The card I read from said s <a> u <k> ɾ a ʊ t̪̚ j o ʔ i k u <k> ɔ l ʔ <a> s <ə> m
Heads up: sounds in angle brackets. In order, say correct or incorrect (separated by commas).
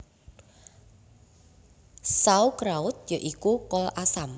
correct, correct, correct, correct, incorrect